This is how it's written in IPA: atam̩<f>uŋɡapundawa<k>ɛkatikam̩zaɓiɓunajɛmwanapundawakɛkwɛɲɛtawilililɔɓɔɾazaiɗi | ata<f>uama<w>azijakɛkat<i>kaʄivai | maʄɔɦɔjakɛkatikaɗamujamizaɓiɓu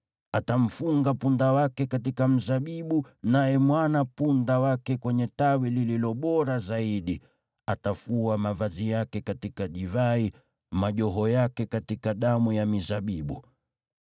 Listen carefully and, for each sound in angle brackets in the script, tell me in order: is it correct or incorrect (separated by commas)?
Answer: correct, correct, correct, incorrect, correct